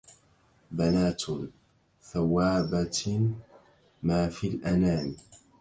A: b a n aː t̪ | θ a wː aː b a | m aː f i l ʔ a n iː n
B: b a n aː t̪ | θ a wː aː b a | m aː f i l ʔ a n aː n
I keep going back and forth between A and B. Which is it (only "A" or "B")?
B